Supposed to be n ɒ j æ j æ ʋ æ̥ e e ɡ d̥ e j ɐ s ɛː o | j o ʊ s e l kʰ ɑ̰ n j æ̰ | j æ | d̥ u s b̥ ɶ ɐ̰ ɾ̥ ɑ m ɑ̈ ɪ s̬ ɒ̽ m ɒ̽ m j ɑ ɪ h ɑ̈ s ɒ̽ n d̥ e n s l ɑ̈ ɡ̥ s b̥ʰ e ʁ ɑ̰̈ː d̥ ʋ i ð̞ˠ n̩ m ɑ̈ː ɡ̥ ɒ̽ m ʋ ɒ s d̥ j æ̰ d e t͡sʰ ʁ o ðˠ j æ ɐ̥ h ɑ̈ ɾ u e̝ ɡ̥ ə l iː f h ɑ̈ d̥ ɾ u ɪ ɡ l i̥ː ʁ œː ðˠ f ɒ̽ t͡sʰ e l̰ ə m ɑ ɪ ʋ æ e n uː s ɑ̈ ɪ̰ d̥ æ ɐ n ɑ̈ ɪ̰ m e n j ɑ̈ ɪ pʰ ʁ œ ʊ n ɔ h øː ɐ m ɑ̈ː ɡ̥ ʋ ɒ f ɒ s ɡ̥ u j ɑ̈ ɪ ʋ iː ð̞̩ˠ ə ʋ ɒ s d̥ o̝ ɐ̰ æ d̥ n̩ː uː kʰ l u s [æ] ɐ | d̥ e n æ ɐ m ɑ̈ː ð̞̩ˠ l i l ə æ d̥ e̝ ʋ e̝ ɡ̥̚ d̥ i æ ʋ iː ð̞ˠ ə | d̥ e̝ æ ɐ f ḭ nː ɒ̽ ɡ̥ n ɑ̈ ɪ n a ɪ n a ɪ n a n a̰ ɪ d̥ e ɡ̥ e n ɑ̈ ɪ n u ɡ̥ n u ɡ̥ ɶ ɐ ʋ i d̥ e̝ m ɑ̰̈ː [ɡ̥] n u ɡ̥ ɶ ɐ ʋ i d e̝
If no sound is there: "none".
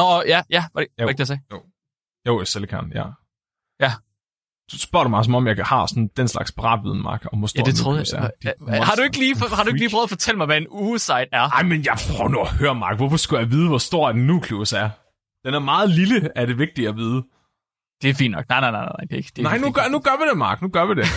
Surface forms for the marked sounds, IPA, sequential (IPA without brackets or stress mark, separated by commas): æ, ɡ̥